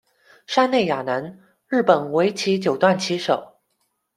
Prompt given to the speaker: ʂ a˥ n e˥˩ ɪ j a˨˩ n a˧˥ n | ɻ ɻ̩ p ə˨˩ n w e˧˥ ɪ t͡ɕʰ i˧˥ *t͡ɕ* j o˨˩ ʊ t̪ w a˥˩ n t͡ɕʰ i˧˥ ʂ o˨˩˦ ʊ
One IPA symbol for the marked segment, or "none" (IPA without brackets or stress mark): t͡ɕ